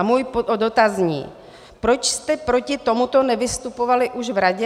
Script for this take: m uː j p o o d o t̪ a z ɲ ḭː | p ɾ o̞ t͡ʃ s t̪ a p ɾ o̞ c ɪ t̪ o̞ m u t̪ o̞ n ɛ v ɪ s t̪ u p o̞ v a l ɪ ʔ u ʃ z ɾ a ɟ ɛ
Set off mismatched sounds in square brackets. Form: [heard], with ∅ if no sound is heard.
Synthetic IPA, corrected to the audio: m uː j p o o d o t̪ a z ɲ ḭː | p ɾ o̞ t͡ʃ s t̪ [ɛ] p ɾ o̞ c ɪ t̪ o̞ m u t̪ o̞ n ɛ v ɪ s t̪ u p o̞ v a l ɪ ʔ u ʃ [v] ɾ a ɟ ɛ